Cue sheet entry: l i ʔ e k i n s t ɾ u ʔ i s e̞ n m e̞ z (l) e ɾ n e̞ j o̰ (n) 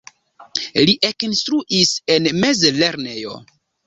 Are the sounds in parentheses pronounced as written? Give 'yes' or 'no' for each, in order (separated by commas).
yes, no